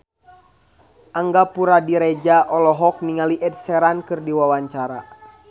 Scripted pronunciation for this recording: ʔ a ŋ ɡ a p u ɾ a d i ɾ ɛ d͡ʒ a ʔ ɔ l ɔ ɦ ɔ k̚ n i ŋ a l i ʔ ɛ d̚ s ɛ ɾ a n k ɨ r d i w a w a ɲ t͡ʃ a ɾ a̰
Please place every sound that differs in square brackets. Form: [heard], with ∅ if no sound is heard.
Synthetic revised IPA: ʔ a ŋ ɡ a p u ɾ a d i ɾ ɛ d͡ʒ a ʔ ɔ l ɔ ɦ ɔ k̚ n i ŋ a l i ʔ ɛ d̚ s ɛ ɾ a n k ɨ r d i w a w a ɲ t͡ʃ a ɾ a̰